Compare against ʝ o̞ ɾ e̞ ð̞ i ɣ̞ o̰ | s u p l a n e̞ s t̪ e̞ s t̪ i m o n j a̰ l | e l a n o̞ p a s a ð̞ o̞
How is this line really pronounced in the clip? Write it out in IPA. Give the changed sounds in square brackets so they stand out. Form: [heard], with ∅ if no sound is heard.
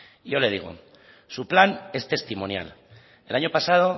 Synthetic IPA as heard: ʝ o̞ [l] e̞ ð̞ i ɣ̞ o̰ | s u p l a n e̞ s t̪ e̞ s t̪ i m o n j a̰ l | e l a [ɲ] o̞ p a s a ð̞ o̞